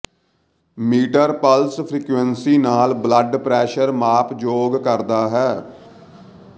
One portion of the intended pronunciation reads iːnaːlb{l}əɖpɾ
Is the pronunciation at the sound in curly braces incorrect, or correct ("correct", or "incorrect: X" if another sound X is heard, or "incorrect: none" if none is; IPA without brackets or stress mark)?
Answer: correct